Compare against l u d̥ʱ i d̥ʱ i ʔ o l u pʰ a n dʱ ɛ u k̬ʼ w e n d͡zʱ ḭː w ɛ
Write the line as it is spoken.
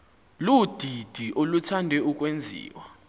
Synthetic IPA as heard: l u d̥ʱ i d̥ʱ i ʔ o l u tʰ a n dʱ ɛ u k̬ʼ w e n d͡zʱ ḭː w a